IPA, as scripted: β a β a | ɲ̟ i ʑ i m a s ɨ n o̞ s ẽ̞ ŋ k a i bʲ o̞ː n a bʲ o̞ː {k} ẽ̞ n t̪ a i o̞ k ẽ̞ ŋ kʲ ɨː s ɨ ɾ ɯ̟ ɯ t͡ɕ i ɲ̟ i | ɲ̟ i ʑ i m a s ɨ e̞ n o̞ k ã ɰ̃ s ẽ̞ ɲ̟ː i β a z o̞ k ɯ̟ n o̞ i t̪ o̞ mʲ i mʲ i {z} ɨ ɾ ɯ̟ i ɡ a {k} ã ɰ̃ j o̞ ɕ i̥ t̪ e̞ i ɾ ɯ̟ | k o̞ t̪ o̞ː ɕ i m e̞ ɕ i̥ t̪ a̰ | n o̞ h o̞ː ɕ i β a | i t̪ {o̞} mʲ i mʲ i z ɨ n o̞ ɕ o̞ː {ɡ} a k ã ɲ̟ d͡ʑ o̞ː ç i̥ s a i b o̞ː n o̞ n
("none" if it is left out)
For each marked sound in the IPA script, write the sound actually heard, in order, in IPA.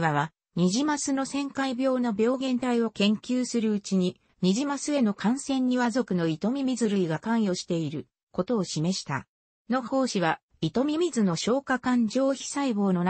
ɡ, z, k, o̞, k

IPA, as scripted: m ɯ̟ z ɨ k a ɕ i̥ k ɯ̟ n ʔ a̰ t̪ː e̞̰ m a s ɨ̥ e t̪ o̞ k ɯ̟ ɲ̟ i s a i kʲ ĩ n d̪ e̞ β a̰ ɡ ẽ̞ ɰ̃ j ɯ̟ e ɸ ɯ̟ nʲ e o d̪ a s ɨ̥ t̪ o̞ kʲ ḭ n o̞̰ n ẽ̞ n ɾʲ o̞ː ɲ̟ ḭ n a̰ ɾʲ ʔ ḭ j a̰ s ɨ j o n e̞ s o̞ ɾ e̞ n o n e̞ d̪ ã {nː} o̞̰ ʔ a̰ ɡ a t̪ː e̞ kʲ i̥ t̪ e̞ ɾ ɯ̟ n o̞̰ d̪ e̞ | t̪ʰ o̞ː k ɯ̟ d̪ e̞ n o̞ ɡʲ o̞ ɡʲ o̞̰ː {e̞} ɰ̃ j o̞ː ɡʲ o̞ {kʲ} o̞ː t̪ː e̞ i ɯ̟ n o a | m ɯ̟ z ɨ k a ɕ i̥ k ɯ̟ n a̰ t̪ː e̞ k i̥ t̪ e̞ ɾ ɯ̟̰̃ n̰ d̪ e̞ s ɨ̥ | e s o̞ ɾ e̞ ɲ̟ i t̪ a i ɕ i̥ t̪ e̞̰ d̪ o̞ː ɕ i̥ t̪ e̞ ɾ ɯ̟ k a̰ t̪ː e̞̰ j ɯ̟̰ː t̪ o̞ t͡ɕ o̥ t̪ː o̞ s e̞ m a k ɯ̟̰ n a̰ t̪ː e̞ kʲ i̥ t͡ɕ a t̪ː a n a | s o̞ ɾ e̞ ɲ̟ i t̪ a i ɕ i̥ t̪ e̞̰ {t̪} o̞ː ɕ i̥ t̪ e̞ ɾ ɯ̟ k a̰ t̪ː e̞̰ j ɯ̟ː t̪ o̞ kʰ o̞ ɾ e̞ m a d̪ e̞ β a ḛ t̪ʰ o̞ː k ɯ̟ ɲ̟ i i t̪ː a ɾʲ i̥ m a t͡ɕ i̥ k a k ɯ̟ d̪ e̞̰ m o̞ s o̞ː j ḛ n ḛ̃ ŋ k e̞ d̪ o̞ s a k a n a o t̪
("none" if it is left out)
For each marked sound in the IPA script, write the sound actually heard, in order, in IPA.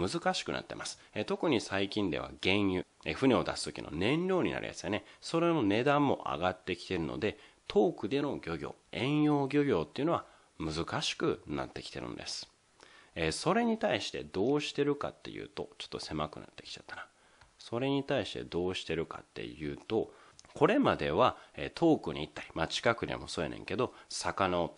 mː, ẽ̞, ɡʲ, d̪

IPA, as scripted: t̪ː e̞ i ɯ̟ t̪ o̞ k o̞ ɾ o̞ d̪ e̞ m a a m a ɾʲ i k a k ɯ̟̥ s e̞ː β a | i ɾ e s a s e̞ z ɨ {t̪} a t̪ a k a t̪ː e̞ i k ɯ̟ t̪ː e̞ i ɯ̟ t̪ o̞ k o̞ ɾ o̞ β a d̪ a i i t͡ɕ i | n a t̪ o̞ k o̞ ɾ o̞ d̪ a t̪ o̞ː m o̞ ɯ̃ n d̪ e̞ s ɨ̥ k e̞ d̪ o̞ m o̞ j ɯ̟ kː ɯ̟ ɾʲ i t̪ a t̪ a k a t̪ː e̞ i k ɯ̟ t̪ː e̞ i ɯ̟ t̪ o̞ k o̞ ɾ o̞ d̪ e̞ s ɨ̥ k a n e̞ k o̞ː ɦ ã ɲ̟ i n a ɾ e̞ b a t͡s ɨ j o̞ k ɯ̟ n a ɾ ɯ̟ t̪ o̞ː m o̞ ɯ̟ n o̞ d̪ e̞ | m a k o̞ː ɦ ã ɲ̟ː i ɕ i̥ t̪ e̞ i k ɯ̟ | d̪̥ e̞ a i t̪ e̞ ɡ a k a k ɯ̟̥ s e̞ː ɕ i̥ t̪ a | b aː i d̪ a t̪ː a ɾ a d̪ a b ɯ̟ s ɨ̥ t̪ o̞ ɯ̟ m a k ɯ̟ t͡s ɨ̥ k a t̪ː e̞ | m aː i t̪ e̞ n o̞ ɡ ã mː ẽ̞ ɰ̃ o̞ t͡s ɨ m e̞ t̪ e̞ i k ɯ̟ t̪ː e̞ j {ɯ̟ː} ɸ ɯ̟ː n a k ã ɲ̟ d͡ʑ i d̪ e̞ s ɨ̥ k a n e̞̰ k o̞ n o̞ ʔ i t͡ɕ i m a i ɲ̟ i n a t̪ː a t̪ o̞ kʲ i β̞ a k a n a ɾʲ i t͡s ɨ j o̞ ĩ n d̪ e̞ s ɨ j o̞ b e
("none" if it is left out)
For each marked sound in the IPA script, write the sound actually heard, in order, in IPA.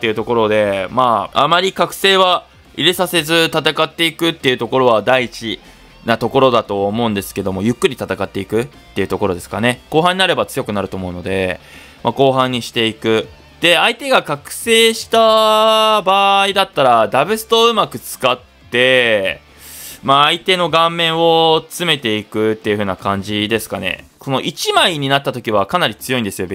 t̪, ɯ̟

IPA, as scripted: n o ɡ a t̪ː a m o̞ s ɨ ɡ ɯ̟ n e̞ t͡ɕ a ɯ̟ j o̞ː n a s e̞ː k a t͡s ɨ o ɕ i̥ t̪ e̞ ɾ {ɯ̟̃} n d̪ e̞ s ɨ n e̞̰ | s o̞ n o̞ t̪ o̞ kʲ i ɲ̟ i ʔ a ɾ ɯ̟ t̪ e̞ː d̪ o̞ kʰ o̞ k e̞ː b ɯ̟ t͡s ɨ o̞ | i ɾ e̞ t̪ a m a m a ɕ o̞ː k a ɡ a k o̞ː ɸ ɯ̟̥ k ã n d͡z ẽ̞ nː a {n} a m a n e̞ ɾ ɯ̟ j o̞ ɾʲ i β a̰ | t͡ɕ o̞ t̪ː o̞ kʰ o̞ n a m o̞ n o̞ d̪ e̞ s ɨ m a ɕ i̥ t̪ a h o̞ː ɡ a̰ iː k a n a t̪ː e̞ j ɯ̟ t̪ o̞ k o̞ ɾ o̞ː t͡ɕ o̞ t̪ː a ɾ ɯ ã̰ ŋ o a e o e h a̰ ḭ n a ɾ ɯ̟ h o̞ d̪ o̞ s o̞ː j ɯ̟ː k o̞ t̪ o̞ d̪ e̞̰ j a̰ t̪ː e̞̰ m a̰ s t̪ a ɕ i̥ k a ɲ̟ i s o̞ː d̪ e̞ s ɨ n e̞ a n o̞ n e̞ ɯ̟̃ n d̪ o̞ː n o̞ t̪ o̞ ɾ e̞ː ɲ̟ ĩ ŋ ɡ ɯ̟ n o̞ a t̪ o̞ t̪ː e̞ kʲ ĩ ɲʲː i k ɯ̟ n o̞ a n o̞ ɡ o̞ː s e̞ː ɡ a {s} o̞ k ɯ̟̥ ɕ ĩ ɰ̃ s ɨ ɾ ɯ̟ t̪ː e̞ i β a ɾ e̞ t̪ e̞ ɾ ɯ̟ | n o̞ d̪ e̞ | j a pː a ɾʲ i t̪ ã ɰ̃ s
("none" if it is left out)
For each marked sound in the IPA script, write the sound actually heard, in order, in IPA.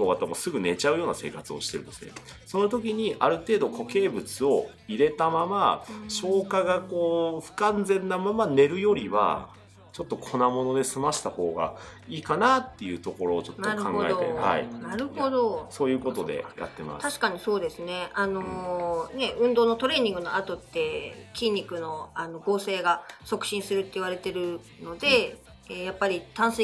ɯ̟, m, s

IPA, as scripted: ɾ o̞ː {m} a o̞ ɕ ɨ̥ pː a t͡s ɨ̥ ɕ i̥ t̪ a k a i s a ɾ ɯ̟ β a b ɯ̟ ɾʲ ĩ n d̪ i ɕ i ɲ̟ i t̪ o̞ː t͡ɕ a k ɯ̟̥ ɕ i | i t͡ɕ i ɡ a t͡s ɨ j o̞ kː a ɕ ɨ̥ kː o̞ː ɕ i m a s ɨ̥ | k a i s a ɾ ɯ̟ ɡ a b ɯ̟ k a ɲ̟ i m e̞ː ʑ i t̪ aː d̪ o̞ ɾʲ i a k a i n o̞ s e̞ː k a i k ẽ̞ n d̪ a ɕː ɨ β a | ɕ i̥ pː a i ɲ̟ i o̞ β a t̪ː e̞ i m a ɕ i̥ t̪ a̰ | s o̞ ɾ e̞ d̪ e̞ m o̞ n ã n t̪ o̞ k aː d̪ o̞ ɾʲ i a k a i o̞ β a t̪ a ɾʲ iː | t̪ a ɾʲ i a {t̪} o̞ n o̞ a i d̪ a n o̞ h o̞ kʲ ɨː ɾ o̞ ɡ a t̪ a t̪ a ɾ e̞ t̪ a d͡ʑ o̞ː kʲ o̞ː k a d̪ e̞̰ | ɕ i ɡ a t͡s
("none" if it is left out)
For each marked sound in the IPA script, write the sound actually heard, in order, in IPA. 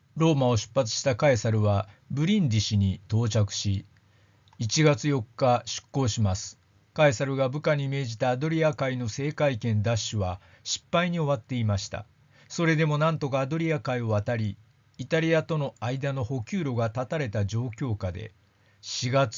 m, t̪

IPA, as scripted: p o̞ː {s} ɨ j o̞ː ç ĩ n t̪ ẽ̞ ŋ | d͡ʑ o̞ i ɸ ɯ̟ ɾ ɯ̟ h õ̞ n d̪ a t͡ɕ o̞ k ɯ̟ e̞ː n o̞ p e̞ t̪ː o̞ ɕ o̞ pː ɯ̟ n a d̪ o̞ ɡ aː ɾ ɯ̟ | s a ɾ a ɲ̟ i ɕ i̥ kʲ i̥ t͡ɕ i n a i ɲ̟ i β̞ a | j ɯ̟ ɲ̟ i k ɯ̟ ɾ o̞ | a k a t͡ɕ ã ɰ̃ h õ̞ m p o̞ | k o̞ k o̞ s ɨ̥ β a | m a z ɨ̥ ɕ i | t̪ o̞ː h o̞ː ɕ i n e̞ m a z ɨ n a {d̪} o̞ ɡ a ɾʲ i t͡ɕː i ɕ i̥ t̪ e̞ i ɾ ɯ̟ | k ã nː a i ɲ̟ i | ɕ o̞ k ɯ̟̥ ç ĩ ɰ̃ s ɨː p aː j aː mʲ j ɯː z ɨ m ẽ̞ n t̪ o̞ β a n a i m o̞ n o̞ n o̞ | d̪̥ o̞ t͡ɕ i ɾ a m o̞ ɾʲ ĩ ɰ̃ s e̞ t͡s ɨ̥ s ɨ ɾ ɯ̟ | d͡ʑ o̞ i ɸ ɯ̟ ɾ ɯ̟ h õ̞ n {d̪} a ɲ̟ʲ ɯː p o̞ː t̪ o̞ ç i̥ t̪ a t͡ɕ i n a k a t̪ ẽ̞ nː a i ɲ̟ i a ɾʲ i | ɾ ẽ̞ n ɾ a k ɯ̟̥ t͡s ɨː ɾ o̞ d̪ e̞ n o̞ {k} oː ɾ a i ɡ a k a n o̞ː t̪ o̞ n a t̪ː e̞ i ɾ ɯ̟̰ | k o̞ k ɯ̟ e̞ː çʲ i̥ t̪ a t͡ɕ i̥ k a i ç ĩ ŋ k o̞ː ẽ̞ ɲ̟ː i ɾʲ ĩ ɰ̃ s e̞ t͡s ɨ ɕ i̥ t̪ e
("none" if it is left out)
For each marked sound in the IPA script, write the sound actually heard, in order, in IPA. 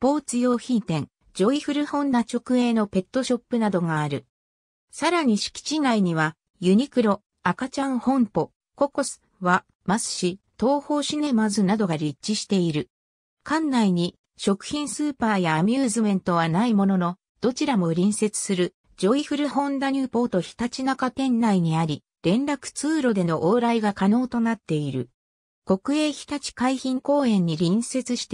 t͡s, d̪, d̪, ʔ

